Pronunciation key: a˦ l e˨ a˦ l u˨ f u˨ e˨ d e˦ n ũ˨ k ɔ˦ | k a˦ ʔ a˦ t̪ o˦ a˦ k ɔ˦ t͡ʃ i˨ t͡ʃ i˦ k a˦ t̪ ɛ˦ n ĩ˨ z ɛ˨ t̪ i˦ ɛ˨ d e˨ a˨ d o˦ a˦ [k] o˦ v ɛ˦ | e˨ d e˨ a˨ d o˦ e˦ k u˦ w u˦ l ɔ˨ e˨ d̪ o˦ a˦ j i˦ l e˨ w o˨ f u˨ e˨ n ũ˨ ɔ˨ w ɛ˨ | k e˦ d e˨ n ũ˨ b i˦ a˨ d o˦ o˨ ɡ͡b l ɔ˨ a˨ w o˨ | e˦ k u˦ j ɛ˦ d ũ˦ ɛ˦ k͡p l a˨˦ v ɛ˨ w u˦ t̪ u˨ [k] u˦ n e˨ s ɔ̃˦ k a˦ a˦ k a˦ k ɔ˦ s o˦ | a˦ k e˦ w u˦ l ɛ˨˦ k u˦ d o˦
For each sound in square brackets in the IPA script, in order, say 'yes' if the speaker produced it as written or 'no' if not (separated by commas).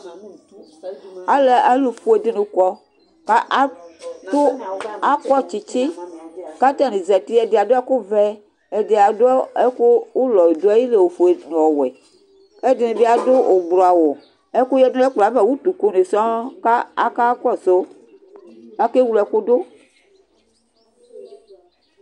yes, yes